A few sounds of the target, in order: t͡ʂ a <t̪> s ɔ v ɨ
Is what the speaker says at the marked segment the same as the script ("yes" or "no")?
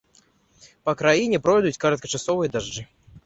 no